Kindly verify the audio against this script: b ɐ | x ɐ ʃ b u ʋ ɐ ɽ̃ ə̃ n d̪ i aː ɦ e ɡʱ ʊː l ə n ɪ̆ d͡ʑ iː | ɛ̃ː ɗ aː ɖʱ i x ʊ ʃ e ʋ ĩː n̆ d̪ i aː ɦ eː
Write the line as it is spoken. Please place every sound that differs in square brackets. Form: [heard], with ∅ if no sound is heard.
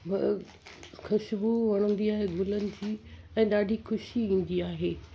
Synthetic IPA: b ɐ | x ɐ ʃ b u ʋ ɐ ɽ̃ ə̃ n d̪ i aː ɦ e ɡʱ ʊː l ə n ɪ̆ d͡ʑ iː | ɛ̃ː ɗ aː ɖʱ i x ʊ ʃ [i] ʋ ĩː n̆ d̪ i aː ɦ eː